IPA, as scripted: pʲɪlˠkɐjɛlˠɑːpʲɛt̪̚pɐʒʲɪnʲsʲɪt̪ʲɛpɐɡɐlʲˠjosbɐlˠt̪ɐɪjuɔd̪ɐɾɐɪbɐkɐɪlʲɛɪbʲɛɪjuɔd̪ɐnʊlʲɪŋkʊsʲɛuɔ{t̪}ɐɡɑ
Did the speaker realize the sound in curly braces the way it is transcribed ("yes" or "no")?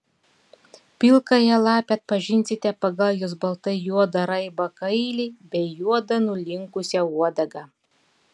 no